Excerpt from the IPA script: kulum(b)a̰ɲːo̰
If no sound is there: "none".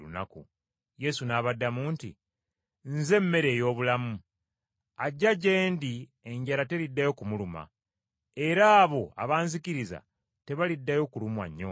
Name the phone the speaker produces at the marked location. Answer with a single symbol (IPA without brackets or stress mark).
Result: w